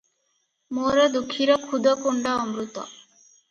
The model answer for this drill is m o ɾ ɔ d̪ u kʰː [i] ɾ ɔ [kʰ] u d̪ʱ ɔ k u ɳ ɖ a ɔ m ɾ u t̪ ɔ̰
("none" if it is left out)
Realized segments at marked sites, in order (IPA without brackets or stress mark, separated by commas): i, kʰ